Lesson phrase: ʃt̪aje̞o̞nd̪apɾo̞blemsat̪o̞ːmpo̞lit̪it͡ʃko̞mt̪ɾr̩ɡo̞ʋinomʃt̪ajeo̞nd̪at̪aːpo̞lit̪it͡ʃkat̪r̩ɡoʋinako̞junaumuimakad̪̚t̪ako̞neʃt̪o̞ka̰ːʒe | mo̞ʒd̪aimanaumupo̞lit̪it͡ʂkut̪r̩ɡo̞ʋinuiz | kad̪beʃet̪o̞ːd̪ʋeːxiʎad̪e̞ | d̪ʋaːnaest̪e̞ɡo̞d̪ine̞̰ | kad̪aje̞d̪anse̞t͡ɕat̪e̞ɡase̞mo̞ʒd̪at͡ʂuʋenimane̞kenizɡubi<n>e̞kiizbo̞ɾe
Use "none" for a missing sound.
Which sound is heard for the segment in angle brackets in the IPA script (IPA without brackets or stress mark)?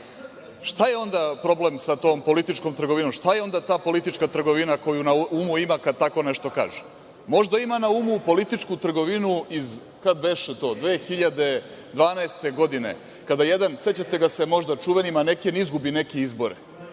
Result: n